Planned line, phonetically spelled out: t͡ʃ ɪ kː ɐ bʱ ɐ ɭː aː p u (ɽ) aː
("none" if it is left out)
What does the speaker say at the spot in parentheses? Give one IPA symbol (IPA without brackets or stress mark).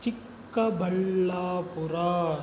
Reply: ɾ